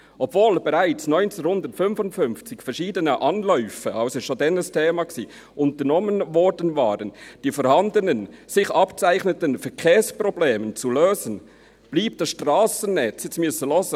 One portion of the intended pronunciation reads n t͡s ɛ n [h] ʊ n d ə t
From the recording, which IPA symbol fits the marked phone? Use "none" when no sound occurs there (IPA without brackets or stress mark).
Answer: h